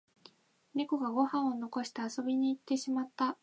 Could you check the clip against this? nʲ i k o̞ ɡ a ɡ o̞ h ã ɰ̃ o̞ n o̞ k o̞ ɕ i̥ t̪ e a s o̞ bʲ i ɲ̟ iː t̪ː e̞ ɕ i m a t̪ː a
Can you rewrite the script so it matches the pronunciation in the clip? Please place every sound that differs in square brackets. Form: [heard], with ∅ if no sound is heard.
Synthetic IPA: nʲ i k o̞ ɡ a ɡ o̞ h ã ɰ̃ o̞ n o̞ k o̞ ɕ i̥ t̪ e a s o̞ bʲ i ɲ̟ iː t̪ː e̞ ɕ i m a t̪ː a